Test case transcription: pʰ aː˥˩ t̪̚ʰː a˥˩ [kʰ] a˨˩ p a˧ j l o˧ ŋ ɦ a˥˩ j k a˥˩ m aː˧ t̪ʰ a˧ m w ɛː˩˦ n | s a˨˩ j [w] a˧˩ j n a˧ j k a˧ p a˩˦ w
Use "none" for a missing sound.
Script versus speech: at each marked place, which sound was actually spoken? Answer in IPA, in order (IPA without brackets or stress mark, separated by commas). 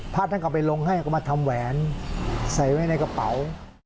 k, w